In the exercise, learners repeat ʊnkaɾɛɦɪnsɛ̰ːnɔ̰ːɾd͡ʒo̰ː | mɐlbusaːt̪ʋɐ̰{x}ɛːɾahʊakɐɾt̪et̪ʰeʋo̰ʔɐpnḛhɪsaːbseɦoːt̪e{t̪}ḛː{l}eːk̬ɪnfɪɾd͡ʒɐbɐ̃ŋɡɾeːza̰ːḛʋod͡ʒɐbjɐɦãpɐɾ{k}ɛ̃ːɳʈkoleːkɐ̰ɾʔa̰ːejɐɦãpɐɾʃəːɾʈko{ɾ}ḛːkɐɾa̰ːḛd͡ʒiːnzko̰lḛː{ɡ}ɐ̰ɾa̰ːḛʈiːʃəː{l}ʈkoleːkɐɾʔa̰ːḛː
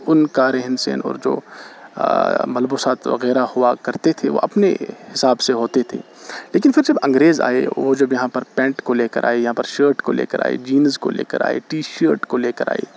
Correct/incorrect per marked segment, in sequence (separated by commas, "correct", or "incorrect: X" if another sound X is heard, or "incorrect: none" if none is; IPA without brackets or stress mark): incorrect: ɣ, incorrect: t̪ʰ, correct, incorrect: p, incorrect: l, incorrect: k, incorrect: ɾ